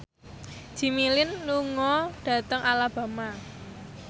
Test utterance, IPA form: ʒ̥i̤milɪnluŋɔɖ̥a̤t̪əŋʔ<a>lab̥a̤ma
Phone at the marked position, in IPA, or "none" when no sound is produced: a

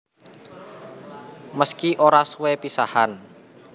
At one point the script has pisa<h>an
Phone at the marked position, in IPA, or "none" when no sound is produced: h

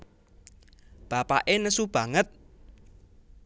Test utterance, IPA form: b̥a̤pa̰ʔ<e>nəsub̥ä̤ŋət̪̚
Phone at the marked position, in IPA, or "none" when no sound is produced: e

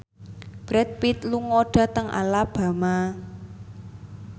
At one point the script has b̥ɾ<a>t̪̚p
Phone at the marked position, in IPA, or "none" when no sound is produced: ɛ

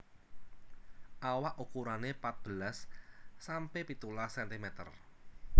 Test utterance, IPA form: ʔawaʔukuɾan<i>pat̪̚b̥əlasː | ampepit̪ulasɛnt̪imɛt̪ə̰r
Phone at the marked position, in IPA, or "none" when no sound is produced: e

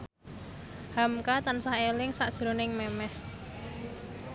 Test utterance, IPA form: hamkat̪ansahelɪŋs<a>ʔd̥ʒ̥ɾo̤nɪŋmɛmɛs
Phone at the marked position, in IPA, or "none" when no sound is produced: a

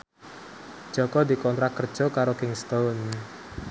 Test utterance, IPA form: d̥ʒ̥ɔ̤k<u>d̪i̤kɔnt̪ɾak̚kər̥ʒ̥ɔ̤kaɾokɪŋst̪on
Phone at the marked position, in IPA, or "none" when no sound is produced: ɔ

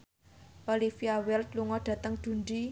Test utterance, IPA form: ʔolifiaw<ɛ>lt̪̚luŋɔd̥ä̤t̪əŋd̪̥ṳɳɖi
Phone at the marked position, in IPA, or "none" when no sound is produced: ɛ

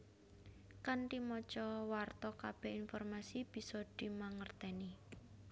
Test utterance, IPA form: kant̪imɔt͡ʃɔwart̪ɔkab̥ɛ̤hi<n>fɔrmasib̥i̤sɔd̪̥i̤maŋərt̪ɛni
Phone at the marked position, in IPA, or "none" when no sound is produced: n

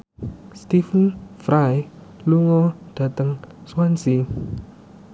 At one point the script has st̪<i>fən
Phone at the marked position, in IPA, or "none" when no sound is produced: i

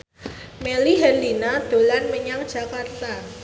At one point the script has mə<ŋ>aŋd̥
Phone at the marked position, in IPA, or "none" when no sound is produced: ɲ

